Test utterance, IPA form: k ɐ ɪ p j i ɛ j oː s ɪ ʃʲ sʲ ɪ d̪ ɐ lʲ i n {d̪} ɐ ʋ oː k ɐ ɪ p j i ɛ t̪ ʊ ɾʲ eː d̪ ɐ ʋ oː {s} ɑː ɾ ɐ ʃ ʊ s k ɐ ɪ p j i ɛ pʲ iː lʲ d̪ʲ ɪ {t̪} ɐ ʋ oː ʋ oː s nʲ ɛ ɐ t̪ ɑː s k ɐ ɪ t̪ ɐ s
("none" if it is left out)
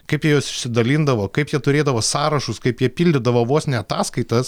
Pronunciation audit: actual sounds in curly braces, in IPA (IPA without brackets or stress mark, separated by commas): d̪, s, d̪